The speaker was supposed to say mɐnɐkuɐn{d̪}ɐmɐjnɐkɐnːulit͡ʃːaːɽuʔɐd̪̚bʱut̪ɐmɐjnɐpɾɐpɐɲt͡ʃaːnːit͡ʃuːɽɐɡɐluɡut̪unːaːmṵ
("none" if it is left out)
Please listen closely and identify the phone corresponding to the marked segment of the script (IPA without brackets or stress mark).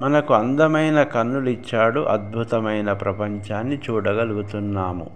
d̪